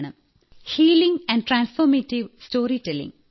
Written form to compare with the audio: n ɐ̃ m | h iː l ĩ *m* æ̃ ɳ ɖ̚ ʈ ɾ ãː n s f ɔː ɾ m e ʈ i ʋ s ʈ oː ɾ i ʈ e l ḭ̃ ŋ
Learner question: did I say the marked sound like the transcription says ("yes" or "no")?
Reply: no